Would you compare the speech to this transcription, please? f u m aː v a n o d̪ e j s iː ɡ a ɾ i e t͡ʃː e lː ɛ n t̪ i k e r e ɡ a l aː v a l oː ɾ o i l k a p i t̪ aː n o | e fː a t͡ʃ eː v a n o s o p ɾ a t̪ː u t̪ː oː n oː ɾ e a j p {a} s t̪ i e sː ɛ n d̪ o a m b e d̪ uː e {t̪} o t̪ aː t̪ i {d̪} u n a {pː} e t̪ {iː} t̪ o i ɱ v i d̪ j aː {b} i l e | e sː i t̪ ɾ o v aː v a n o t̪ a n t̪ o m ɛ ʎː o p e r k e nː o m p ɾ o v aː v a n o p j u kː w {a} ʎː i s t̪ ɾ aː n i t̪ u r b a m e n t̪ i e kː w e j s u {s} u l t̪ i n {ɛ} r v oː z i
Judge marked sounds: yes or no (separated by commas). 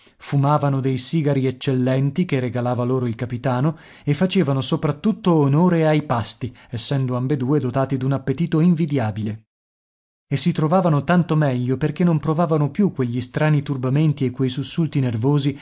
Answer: yes, no, yes, yes, yes, yes, no, no, no